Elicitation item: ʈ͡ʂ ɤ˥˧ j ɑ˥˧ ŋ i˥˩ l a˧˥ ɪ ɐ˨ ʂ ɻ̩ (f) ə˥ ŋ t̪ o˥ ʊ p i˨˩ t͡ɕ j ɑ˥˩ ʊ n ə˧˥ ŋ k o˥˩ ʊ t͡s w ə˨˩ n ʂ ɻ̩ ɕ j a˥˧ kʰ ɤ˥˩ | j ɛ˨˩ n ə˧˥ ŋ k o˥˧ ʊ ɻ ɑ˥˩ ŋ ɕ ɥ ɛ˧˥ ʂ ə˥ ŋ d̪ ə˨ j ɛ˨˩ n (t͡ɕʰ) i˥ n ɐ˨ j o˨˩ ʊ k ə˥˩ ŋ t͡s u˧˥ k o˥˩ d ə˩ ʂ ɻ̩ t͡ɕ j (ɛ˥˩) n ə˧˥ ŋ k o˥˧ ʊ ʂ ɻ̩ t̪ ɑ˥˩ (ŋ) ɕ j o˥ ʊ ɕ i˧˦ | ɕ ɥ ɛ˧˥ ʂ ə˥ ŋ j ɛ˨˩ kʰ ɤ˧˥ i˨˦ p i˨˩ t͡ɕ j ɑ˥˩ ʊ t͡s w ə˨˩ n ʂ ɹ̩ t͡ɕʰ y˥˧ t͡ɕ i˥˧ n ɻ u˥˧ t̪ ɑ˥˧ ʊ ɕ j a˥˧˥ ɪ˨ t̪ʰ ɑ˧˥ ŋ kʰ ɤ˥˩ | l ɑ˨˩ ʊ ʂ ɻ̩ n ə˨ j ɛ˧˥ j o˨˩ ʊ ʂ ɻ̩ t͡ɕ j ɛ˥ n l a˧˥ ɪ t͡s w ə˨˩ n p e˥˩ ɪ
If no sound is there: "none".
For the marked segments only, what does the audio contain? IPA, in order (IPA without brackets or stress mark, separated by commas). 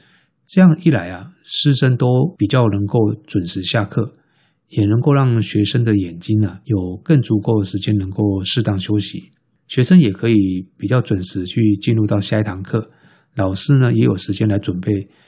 ʂ, t͡ɕ, ɛ˥, ŋ